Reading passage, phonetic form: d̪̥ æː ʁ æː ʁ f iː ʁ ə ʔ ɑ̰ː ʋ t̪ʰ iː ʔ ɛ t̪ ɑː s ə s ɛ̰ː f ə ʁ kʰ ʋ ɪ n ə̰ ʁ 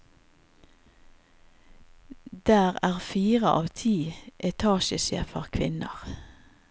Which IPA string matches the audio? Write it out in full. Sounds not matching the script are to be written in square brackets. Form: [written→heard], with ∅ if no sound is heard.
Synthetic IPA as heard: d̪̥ æː ʁ æː ʁ f iː ʁ ə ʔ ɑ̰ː ʋ t̪ʰ iː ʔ ɛ [t̪→t̪ʰ] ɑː [s→ʃ] ə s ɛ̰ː f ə ʁ kʰ ʋ ɪ n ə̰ ʁ